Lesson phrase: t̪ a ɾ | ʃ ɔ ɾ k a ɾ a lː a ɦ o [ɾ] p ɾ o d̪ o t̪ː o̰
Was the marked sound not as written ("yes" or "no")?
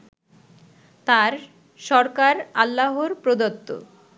no